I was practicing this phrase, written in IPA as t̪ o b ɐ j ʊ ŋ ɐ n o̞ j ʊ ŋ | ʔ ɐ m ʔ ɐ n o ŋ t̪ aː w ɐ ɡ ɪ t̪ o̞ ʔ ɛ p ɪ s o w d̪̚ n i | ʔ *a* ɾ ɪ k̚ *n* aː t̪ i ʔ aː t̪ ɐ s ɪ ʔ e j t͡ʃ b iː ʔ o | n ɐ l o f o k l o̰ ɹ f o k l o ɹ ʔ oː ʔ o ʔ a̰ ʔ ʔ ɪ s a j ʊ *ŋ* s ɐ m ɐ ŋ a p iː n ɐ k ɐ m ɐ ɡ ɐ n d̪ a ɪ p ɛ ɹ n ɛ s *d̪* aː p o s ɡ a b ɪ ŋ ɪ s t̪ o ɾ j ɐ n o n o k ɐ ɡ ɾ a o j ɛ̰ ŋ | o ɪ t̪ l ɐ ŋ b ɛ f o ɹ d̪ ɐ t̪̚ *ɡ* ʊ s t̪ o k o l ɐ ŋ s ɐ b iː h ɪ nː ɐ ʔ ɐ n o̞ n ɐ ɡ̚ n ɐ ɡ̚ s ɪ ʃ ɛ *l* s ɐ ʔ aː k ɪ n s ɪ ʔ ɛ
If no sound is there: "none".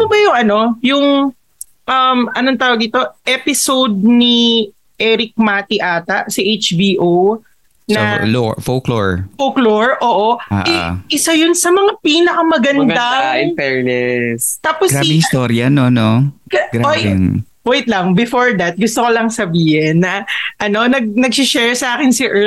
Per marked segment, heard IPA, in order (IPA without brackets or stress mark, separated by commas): ɛ, m, n, t̪, ɡ, ɹ